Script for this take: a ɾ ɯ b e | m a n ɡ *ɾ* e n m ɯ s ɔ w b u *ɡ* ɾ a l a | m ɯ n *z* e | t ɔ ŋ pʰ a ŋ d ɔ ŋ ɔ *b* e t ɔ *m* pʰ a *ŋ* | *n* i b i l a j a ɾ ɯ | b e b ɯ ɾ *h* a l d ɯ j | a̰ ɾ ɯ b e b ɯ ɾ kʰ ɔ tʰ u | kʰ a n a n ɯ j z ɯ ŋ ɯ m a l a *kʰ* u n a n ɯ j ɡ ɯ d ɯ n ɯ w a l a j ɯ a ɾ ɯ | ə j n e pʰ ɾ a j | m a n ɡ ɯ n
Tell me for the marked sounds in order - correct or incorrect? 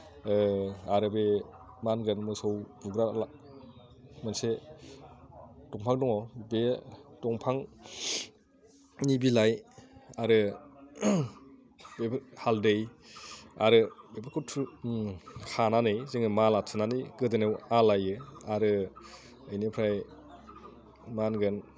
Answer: correct, correct, incorrect: s, correct, incorrect: ŋ, correct, correct, correct, incorrect: tʰ

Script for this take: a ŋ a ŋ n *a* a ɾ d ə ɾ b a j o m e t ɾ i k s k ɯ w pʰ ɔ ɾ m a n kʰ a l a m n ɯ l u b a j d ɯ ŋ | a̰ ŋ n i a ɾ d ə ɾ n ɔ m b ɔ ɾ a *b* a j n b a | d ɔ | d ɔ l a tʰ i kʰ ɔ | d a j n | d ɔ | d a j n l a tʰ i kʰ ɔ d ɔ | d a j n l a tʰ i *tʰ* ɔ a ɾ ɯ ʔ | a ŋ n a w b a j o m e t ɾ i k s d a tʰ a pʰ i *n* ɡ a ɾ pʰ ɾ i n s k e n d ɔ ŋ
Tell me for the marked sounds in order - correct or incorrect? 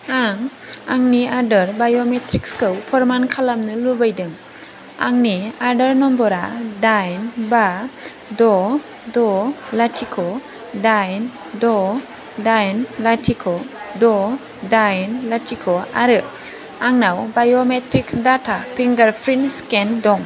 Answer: incorrect: i, incorrect: d, incorrect: kʰ, incorrect: ŋ

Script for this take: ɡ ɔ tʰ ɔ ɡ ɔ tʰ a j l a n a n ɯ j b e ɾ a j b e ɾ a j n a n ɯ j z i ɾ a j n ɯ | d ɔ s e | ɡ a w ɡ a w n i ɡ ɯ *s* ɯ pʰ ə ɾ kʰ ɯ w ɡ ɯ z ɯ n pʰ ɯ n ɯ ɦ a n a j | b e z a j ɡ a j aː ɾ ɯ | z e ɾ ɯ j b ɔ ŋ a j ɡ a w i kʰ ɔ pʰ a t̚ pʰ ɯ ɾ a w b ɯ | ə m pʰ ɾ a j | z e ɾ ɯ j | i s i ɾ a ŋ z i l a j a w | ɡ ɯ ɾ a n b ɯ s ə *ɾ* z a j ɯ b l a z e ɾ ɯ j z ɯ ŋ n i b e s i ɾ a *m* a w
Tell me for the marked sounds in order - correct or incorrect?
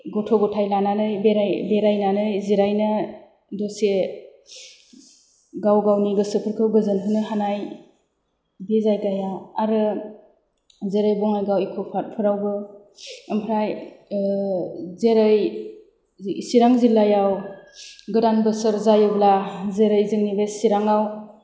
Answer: correct, correct, incorrect: ŋ

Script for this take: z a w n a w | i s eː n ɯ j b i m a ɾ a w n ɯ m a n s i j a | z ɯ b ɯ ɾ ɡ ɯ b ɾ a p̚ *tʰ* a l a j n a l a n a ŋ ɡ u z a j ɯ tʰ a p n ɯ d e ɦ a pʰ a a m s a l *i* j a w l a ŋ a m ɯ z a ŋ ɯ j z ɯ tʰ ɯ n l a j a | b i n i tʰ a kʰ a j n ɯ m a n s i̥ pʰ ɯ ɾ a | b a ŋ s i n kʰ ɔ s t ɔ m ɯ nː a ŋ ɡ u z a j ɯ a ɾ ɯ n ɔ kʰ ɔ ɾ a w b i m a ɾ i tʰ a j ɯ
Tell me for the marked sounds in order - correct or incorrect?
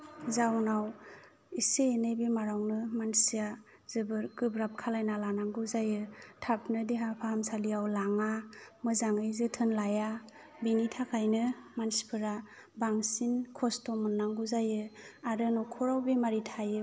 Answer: incorrect: kʰ, correct

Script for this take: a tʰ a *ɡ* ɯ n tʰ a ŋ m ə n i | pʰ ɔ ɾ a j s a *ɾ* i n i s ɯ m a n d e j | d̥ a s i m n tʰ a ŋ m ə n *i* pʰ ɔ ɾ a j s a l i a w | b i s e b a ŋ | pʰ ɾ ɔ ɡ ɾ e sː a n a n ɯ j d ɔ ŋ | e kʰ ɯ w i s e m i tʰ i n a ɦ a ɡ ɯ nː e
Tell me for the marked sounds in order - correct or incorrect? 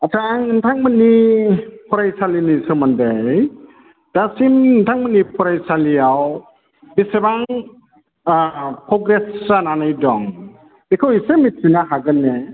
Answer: incorrect: ŋ, incorrect: l, correct

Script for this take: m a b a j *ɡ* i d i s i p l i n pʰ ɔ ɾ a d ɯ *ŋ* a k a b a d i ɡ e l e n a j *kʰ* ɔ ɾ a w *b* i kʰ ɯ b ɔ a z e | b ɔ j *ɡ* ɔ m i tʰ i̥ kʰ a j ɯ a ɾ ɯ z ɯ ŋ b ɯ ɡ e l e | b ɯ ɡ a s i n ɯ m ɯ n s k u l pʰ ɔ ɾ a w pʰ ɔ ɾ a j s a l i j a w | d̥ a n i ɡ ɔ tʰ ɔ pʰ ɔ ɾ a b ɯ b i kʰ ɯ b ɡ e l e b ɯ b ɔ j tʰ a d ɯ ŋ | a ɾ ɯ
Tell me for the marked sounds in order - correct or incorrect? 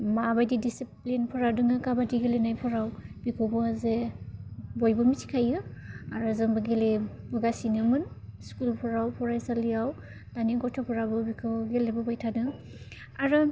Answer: incorrect: d, correct, incorrect: pʰ, correct, incorrect: b

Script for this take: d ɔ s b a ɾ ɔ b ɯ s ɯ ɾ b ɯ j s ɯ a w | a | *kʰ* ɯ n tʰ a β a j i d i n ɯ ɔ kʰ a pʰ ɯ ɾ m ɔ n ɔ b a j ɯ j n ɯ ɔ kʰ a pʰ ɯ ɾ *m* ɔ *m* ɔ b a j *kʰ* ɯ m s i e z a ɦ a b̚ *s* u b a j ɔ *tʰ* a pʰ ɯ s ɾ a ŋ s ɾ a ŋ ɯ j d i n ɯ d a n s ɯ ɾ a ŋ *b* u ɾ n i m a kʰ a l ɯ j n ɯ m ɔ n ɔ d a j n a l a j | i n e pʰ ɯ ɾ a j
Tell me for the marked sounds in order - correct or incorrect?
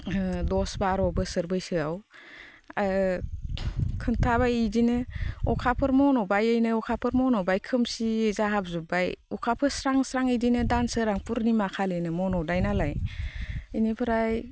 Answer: correct, correct, incorrect: n, correct, incorrect: z, incorrect: kʰ, incorrect: p

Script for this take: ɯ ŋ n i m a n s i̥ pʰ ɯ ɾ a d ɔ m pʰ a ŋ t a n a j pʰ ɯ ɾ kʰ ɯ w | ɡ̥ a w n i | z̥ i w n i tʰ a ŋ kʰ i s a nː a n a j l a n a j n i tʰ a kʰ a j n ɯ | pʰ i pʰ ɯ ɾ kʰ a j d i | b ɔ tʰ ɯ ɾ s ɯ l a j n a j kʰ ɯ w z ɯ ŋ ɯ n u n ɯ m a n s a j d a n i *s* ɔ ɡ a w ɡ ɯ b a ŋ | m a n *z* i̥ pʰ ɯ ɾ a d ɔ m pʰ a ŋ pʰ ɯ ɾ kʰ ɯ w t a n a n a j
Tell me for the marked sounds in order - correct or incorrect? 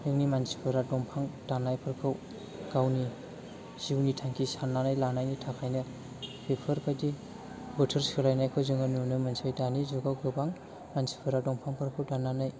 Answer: incorrect: z, incorrect: s

